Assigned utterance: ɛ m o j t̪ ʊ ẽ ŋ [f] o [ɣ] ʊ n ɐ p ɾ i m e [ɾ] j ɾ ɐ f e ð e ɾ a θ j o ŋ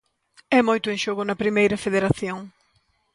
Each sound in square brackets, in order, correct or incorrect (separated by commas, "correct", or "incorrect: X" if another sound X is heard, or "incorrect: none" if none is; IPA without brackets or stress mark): incorrect: ʃ, correct, incorrect: none